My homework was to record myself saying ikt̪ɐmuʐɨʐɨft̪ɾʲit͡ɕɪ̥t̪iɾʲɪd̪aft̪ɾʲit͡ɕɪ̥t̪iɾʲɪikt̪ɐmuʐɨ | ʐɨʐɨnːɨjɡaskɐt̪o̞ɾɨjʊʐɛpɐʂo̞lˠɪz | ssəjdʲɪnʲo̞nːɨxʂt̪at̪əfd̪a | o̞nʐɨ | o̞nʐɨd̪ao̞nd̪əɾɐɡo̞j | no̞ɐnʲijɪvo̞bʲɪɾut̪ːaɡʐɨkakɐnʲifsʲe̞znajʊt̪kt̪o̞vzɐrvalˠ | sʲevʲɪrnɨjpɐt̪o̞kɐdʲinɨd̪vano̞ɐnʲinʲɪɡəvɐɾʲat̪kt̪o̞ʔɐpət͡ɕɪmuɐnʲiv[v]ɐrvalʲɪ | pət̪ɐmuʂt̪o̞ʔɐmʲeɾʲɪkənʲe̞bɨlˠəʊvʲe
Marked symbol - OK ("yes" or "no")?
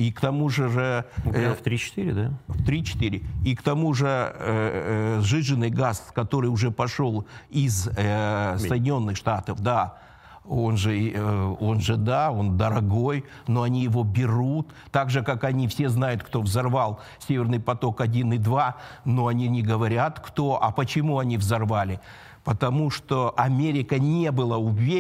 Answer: no